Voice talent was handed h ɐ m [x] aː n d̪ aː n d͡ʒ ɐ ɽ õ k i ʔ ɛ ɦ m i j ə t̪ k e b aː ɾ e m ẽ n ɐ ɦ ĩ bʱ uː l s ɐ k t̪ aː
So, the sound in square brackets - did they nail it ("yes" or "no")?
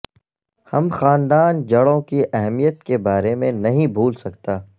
yes